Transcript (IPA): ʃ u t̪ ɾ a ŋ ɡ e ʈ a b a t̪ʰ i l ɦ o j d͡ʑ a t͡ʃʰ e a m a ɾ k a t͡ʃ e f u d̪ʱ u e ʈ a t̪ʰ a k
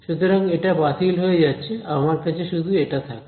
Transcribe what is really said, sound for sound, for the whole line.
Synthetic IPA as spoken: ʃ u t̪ ɾ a ŋ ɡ e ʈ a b a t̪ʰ i l ɦ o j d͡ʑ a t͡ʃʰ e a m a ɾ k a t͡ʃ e ʃ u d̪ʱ u e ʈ a t̪ʰ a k